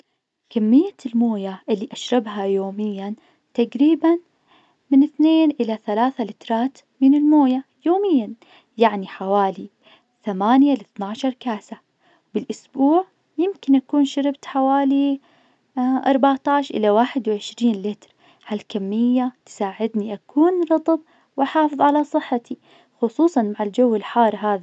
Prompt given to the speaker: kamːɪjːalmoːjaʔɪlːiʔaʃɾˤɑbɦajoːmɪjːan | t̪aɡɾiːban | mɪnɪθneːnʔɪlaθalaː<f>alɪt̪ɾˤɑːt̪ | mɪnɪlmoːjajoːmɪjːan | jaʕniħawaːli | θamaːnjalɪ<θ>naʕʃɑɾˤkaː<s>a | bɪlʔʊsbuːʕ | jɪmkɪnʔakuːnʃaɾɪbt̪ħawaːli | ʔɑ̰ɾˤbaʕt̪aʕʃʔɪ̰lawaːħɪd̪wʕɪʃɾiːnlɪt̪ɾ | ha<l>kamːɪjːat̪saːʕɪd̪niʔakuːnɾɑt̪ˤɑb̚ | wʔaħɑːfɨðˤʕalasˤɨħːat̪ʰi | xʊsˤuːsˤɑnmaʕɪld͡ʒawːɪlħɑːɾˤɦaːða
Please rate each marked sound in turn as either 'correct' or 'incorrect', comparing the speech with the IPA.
incorrect: θ, correct, correct, correct

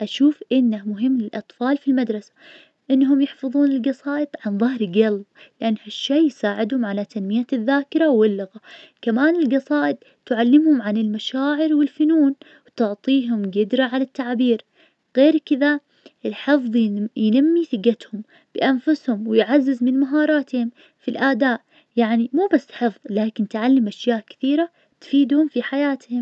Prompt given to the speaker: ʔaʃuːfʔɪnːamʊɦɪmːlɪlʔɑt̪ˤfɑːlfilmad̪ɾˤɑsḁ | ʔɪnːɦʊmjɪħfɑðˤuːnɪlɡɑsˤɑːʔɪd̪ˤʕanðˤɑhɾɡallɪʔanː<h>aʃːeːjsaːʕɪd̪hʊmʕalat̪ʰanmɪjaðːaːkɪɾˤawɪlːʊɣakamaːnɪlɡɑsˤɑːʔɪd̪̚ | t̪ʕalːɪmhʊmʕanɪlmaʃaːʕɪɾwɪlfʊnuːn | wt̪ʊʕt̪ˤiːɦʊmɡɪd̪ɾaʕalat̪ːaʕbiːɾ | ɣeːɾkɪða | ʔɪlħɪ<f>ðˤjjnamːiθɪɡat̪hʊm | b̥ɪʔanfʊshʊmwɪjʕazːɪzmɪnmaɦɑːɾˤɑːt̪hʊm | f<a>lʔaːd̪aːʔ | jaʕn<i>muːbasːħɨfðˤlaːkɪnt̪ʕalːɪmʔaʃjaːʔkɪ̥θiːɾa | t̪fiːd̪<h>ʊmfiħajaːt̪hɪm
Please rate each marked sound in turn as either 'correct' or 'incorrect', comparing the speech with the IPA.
correct, correct, incorrect: i, correct, correct

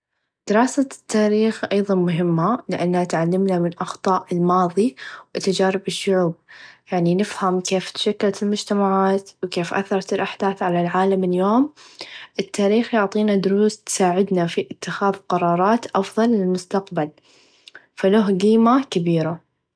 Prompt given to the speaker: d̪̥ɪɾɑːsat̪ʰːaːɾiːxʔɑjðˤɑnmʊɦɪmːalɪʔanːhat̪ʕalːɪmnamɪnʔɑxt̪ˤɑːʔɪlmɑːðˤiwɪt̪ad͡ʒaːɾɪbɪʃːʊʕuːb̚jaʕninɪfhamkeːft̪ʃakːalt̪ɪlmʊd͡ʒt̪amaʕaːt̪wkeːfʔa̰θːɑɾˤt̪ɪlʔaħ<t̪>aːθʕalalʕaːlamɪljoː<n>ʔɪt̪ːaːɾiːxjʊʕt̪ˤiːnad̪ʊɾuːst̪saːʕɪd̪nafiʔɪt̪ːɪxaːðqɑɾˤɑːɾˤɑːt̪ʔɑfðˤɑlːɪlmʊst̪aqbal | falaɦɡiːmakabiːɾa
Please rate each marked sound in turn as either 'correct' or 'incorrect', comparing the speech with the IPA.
incorrect: d̪, incorrect: m

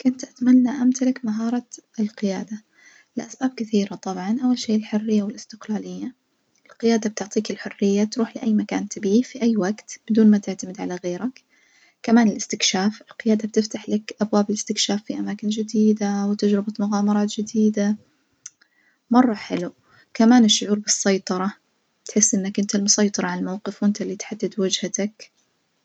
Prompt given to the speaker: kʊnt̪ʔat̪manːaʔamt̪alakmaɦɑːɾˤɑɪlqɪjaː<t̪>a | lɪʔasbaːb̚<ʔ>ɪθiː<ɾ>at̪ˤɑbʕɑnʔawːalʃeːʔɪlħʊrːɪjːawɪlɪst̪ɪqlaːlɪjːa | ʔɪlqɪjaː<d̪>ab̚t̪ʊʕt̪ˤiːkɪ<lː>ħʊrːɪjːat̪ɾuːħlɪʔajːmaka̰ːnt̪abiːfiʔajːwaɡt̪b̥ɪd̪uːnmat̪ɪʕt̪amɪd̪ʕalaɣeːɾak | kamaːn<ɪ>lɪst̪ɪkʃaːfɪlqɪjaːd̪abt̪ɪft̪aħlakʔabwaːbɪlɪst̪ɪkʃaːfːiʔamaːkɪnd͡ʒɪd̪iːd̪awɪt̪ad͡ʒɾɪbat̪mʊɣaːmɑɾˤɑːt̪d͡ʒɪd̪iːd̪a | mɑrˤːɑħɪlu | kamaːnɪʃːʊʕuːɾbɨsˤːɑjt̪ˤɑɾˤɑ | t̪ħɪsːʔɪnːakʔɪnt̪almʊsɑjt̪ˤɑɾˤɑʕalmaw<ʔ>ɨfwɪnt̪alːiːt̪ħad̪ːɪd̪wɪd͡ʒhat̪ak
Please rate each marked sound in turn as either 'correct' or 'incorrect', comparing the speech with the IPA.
incorrect: d̪, incorrect: k, correct, correct, incorrect: l, correct, incorrect: q

